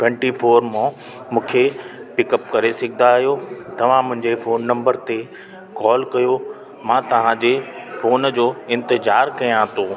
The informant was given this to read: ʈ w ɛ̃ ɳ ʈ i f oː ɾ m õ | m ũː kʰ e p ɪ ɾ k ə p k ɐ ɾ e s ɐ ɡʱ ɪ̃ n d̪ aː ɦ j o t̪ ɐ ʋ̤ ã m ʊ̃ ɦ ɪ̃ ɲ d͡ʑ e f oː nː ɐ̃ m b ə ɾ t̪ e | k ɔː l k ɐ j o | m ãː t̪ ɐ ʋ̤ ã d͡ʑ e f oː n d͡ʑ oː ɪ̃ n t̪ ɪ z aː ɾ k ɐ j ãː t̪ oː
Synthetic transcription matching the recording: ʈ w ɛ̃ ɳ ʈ i f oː ɾ m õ | m ũː kʰ e p ɪ k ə p k ɐ ɾ e s ɐ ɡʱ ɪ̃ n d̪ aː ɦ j o t̪ ɐ ʋ̤ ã m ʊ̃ ɦ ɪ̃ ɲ d͡ʑ e f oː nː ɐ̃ m b ə ɾ t̪ e | k ɔː l k ɐ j o | m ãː t̪ ɐ ʋ̤ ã d͡ʑ e f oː n d͡ʑ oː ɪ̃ n t̪ ɪ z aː ɾ k ɐ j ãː t̪ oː